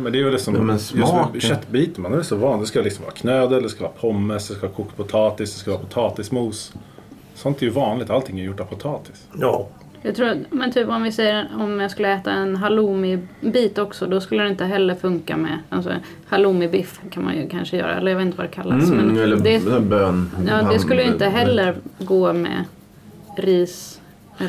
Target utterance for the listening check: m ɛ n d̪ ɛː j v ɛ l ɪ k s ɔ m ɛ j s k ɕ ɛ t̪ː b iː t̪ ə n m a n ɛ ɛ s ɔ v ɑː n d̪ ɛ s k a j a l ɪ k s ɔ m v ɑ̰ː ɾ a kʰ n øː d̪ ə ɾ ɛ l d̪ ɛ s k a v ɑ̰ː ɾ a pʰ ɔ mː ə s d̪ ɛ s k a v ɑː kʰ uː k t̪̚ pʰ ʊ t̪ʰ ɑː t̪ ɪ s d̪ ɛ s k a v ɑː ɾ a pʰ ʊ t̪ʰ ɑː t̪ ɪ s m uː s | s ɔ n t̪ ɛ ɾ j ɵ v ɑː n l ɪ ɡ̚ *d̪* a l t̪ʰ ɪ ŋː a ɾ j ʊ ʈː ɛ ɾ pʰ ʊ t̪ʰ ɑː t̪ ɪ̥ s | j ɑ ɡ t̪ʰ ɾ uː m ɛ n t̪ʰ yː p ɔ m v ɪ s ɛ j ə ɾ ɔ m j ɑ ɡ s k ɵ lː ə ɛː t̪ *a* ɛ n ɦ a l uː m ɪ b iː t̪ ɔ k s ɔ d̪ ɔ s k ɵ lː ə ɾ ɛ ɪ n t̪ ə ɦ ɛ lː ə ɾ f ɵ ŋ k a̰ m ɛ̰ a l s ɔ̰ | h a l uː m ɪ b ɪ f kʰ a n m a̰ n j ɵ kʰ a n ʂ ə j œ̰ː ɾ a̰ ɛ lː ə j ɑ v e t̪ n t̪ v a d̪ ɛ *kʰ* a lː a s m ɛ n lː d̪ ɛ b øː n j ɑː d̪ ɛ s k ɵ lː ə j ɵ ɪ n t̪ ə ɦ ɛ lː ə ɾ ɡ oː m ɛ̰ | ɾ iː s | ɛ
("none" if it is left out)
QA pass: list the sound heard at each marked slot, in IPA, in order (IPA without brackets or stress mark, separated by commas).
t̪, a, kʰ